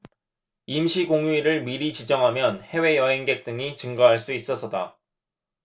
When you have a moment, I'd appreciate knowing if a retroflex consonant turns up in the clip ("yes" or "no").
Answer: yes